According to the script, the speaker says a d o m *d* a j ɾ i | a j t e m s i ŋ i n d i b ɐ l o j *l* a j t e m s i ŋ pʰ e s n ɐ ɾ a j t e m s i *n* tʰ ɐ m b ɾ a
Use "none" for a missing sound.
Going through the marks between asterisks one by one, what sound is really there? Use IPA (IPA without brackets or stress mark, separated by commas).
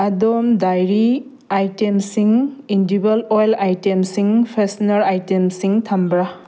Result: d, l, ŋ